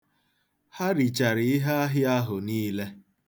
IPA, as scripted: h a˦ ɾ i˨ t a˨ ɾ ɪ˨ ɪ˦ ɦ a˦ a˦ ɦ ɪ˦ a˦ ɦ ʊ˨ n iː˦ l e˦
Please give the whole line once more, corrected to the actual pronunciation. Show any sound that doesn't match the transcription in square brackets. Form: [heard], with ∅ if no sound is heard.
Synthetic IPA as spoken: h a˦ ɾ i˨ [t͡ʃ] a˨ ɾ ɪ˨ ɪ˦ ɦ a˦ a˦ ɦ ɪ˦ a˦ ɦ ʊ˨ n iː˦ l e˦